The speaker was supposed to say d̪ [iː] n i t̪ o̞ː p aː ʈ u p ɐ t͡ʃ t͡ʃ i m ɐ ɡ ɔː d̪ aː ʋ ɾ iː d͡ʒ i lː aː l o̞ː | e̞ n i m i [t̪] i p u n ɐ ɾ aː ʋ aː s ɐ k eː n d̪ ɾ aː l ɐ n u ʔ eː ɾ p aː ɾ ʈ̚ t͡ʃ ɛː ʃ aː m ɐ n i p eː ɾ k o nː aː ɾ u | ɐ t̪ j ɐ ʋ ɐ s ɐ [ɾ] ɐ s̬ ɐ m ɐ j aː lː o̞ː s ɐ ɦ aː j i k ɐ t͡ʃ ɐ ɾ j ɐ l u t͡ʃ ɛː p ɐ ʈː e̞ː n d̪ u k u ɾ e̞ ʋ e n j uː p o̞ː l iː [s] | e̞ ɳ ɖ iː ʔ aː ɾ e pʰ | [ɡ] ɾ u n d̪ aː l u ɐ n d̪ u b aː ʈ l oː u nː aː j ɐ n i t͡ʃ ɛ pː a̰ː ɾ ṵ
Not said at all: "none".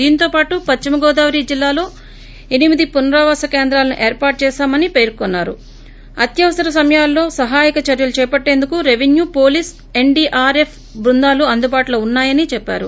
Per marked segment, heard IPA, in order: iː, d̪, ɾ, s, b

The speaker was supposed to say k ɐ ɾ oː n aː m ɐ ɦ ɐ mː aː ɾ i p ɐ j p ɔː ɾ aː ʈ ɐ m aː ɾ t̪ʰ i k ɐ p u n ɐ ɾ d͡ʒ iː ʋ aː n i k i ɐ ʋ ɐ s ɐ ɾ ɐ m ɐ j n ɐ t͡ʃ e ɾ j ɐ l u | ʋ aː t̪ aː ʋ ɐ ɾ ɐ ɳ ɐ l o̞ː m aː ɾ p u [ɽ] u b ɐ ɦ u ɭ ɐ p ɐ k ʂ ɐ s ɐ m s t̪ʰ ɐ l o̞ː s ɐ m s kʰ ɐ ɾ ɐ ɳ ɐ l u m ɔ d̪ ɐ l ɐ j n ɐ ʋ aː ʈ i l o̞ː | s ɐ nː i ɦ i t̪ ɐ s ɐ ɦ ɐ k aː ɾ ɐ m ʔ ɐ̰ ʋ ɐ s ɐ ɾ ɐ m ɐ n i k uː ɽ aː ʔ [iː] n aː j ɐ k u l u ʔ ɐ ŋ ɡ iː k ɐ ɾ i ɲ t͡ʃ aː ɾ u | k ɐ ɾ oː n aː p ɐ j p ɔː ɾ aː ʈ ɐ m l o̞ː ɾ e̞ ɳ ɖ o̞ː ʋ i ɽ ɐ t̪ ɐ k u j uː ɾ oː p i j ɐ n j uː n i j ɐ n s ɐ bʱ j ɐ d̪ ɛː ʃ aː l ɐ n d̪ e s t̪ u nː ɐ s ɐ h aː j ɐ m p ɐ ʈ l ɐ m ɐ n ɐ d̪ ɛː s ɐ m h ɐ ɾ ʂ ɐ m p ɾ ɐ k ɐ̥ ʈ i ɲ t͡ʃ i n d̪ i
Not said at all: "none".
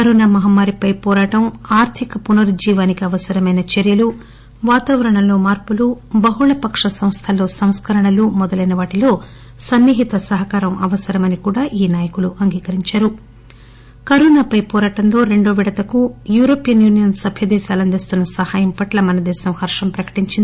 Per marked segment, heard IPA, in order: l, iː

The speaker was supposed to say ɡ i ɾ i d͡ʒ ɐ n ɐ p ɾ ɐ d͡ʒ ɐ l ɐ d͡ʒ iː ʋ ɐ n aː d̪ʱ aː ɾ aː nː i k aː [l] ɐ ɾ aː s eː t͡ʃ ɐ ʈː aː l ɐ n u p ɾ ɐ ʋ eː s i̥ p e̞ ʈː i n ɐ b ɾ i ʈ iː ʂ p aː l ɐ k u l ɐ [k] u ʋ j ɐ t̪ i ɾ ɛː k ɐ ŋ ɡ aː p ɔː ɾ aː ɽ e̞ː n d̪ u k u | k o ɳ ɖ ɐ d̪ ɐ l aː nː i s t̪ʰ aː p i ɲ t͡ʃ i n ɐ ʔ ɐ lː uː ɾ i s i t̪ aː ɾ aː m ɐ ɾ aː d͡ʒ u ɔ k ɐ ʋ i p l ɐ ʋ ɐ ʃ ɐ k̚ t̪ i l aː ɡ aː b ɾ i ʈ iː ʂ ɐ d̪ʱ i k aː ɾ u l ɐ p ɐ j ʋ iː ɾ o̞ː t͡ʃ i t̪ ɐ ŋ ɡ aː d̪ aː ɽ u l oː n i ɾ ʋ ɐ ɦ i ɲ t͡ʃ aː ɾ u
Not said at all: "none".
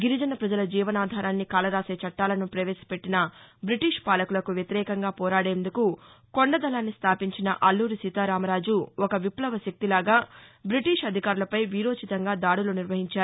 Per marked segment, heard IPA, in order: l, k

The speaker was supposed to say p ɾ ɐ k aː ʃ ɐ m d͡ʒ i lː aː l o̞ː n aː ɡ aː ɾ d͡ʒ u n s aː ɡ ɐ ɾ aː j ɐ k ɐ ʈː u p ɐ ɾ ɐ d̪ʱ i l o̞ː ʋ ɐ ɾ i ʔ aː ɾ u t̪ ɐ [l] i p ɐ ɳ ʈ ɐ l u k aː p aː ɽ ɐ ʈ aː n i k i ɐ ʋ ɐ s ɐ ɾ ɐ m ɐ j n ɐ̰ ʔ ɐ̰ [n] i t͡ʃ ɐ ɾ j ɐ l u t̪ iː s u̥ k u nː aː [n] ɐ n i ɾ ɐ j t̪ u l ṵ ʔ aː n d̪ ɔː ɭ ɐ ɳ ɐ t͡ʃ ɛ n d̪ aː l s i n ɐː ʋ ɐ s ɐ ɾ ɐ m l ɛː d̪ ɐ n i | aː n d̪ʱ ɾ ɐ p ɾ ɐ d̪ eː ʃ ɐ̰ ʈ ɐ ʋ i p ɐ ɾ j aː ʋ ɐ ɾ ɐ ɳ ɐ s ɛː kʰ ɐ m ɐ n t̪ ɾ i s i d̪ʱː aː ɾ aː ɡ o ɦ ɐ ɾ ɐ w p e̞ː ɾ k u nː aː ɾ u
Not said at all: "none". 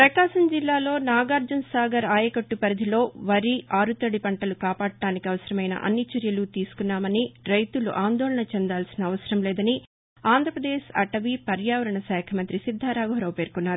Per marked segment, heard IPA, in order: ɽ, nː, m

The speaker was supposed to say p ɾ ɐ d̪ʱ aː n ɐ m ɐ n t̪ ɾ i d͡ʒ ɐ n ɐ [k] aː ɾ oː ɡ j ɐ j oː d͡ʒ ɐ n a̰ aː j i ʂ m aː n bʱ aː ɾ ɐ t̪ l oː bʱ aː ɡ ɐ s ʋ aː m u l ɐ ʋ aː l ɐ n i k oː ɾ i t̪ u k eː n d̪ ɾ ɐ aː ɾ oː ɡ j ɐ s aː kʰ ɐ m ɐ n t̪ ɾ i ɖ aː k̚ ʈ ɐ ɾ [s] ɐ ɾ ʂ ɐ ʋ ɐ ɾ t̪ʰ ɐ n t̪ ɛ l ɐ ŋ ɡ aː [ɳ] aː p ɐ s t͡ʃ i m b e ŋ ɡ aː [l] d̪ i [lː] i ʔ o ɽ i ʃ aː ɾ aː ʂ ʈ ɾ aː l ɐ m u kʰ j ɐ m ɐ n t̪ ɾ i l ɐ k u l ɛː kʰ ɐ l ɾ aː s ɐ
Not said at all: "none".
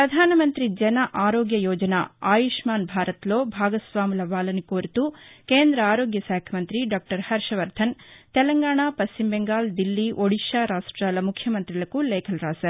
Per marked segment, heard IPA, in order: ʔ, h, ɳ, l, lː

